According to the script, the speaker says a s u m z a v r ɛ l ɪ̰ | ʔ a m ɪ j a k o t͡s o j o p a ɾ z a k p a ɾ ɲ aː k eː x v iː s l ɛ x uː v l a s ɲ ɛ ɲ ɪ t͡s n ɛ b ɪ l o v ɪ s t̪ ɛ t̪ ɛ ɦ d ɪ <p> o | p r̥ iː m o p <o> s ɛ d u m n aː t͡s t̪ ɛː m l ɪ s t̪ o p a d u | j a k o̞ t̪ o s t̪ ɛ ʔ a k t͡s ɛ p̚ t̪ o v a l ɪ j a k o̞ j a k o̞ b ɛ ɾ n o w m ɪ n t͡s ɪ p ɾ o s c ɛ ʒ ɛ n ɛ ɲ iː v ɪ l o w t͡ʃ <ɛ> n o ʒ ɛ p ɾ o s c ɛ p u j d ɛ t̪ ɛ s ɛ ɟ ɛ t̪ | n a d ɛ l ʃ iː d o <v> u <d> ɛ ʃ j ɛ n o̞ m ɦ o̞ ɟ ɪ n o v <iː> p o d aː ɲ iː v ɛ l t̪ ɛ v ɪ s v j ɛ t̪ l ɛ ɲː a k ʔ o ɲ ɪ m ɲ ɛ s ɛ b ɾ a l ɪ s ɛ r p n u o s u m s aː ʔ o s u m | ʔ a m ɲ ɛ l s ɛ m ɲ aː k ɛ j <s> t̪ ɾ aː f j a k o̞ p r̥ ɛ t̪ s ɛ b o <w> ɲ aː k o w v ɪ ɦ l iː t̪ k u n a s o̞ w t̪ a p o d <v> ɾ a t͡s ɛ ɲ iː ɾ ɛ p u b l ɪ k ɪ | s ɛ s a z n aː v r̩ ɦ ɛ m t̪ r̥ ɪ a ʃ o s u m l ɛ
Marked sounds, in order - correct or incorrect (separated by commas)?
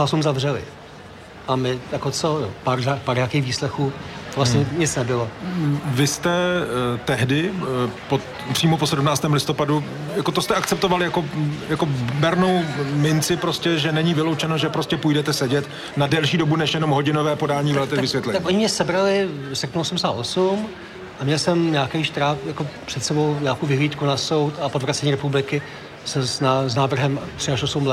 correct, correct, correct, incorrect, incorrect, incorrect, incorrect, correct, correct